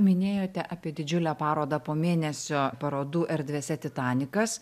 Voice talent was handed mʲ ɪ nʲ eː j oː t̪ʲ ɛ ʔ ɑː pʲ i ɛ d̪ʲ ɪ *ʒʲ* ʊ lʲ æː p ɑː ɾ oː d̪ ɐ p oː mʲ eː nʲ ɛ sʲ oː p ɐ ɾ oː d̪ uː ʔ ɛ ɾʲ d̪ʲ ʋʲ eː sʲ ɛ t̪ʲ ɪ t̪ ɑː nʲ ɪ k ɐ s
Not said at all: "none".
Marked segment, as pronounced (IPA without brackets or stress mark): d͡ʒʲ